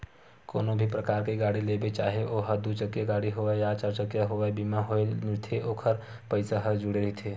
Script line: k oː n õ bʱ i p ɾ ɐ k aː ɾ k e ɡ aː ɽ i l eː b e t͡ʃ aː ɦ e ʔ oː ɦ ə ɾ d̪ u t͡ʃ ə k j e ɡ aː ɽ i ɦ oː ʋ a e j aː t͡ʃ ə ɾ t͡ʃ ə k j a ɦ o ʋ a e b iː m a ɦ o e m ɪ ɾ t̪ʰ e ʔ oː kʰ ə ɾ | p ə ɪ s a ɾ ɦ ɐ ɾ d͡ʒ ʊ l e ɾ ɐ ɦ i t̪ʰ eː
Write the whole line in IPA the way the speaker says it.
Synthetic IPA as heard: k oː n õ bʱ i p ɾ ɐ k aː ɾ k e ɡ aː ɽ i l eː b e t͡ʃ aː ɦ e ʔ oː ɦ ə ɾ d̪ u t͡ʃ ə k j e ɡ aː ɽ i ɦ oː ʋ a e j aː t͡ʃ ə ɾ t͡ʃ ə k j a ɦ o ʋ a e b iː m a ɦ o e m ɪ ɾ t̪ʰ e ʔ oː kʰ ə ɾ | p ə ɪ s a ɦ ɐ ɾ d͡ʒ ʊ ɽ e ɾ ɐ ɦ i t̪ʰ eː